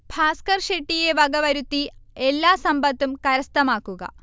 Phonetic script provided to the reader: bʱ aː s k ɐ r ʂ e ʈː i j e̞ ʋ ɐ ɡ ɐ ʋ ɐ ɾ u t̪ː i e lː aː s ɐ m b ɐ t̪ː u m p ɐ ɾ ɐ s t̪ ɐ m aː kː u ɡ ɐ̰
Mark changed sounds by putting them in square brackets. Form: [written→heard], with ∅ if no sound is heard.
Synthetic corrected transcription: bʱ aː s k ɐ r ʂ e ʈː i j e̞ ʋ ɐ ɡ ɐ ʋ ɐ ɾ u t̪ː i e lː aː s ɐ m b ɐ t̪ː u m [p→k] ɐ ɾ ɐ s t̪ ɐ m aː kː u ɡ ɐ̰